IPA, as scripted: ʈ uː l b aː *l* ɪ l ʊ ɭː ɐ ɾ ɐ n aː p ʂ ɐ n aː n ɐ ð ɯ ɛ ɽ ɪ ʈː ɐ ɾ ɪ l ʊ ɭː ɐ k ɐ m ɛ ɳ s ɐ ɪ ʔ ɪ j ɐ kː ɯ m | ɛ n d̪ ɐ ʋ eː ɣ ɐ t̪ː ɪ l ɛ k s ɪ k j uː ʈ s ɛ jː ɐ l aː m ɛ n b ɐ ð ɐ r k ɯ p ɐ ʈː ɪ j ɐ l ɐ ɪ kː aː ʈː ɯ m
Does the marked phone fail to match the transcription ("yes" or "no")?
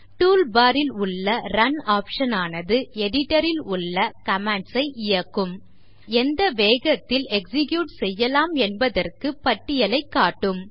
yes